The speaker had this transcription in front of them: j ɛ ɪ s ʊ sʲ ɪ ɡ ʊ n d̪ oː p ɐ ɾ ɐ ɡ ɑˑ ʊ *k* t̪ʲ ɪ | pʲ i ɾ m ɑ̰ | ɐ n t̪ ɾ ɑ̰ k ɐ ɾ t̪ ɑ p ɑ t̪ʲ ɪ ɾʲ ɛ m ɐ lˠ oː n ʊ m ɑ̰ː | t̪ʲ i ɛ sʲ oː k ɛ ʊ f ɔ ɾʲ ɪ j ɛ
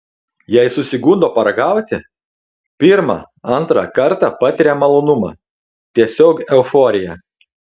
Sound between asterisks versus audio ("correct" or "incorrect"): incorrect